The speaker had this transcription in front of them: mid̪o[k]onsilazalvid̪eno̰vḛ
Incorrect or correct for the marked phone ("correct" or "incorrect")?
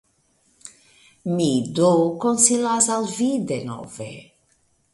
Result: correct